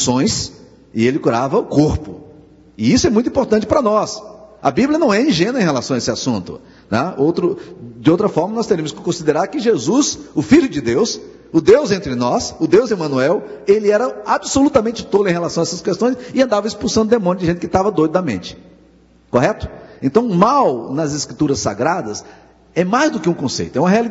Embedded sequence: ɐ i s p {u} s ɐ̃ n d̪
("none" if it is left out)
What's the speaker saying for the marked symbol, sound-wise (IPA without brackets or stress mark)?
u